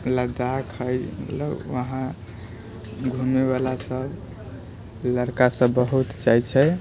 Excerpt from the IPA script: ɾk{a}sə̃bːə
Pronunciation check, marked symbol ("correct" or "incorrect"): correct